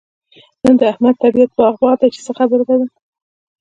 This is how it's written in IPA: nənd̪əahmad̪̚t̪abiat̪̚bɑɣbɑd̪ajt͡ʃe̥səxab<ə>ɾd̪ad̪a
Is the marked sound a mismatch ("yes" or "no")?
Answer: no